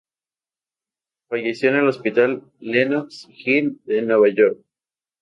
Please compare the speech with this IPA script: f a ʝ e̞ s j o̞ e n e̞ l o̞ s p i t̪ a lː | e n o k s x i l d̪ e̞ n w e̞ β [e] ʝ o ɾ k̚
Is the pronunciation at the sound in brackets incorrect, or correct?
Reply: incorrect